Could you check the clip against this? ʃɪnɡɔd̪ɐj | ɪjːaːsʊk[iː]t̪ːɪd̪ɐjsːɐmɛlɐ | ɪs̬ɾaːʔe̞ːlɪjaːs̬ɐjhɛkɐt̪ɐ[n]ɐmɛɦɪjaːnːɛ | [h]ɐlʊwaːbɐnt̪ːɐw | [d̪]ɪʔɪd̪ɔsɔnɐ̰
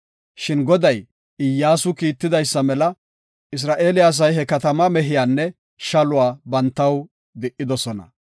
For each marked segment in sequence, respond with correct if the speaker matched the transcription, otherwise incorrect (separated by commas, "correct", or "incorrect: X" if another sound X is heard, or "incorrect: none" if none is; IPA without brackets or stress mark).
correct, incorrect: m, incorrect: ʃ, correct